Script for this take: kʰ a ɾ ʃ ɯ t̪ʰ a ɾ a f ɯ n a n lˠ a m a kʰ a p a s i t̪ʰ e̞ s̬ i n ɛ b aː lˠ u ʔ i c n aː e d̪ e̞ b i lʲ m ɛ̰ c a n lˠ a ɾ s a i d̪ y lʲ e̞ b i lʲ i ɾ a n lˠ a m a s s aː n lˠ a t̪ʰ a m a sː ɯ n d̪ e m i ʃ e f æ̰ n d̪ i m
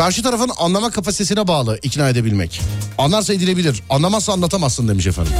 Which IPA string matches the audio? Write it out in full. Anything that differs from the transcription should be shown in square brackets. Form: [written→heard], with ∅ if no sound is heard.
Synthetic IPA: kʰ a ɾ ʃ ɯ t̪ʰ a ɾ a f ɯ n a n lˠ a m a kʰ a p a s i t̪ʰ e̞ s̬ i n ɛ b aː lˠ [u→ɯ] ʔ i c n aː e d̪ e̞ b i lʲ m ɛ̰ c a n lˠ a ɾ s a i d̪ [y→i] lʲ e̞ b i lʲ i ɾ a n lˠ a m a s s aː n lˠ a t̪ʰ a m a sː ɯ n d̪ e m i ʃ e f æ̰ n d̪ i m